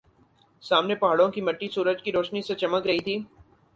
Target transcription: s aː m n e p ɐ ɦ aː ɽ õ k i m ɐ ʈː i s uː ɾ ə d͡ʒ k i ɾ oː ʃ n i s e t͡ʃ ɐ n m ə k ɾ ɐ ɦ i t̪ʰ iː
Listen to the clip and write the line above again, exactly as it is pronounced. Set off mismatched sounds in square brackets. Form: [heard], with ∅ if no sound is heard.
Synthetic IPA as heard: s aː m n e p ɐ ɦ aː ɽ õ k i m ɐ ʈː i s uː ɾ ə d͡ʒ k i ɾ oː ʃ n i s e t͡ʃ ɐ [∅] m ə k ɾ ɐ ɦ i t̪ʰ iː